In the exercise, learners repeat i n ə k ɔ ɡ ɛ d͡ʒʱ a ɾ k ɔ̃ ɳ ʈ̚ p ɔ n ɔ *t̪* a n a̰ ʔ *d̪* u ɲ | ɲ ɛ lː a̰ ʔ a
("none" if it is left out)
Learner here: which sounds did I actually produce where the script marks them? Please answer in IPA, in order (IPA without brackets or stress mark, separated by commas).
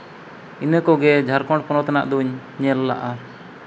t̪, d̪